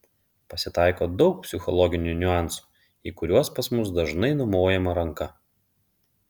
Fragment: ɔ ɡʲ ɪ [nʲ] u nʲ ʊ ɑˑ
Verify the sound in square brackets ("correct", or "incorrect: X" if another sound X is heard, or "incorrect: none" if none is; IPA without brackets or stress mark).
correct